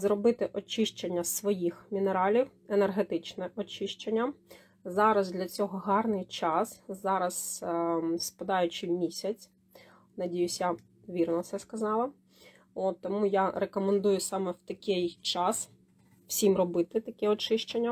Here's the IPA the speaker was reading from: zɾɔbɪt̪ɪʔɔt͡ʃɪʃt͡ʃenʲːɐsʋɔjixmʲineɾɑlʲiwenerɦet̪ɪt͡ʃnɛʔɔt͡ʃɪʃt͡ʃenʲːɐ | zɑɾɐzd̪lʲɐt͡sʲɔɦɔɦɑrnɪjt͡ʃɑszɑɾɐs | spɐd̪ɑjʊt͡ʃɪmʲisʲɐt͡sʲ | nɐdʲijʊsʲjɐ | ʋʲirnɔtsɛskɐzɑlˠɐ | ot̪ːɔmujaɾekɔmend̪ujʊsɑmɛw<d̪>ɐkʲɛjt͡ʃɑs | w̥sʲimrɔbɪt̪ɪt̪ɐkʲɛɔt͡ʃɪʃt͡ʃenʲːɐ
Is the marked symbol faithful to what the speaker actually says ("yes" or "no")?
no